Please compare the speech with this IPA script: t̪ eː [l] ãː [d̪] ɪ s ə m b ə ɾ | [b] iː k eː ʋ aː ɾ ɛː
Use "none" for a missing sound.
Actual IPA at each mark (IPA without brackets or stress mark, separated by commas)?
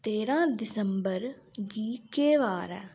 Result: ɾ, d̪, ɡ